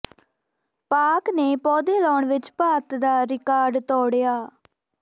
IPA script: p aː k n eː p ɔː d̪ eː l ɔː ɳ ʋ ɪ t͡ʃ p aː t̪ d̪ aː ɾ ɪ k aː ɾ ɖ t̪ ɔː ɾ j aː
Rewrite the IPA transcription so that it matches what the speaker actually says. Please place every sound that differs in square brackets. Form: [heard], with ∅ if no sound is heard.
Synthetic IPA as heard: p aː k n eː p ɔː d̪ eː l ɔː ɳ ʋ ɪ t͡ʃ p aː t̪ d̪ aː ɾ ɪ k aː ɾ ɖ t̪ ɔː [ɽ] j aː